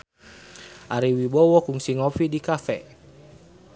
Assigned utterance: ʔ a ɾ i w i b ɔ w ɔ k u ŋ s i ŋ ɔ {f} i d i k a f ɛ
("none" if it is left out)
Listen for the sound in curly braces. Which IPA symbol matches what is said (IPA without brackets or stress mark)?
f